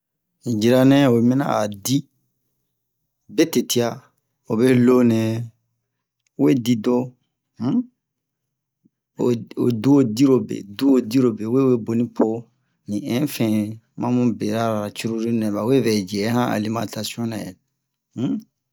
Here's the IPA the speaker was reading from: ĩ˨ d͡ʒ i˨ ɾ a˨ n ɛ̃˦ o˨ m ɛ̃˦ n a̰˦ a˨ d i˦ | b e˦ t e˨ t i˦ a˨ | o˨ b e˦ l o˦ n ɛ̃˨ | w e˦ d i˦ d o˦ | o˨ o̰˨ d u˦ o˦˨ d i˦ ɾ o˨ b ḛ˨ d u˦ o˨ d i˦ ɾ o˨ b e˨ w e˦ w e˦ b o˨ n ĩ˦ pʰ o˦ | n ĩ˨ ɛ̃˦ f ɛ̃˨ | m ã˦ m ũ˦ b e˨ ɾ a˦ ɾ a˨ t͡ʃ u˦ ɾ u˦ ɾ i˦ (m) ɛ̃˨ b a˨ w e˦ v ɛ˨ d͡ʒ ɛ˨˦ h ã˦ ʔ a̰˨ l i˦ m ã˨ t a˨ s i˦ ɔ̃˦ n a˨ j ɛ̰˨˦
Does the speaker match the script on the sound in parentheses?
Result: no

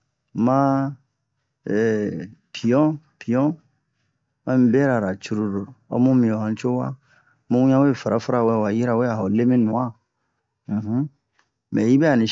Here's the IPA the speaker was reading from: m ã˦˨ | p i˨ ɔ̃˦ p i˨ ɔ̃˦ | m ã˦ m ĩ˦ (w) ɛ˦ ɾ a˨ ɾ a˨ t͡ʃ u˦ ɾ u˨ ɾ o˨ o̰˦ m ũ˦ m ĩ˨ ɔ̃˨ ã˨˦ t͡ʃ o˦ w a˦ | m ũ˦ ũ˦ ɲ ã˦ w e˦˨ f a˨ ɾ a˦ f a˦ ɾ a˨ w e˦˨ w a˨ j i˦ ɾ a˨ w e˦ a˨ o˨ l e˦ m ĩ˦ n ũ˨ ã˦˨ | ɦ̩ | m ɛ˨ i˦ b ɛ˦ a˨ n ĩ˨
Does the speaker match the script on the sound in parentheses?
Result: no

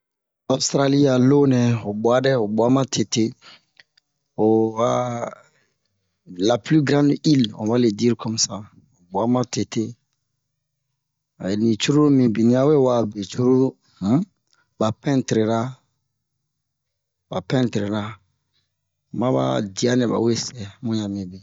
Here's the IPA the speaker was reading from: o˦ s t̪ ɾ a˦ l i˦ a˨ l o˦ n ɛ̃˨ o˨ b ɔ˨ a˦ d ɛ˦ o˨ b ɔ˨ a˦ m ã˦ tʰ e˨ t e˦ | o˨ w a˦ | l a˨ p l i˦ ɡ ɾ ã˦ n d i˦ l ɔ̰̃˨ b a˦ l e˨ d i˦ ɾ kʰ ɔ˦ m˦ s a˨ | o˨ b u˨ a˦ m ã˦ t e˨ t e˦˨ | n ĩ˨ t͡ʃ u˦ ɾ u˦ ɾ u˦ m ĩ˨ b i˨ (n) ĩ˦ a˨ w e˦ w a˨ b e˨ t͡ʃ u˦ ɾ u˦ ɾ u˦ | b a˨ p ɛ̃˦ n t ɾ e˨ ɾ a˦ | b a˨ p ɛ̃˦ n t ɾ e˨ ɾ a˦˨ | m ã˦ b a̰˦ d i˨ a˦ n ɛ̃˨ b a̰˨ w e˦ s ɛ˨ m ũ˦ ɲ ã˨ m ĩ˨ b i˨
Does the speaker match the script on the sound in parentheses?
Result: yes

